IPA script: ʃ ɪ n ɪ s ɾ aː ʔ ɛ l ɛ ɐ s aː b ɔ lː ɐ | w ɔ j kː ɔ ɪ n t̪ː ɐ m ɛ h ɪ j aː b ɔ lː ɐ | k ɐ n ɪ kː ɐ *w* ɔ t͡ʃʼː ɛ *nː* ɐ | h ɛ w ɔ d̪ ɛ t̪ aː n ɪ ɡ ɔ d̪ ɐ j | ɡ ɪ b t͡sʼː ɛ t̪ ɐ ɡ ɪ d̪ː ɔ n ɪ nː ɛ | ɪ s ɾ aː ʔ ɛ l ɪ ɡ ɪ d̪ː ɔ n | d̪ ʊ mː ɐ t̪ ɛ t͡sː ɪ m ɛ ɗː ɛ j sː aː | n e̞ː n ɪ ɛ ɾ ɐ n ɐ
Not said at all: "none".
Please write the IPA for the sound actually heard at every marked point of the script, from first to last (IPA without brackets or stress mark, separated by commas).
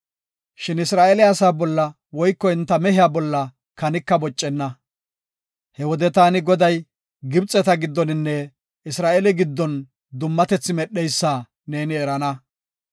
b, nː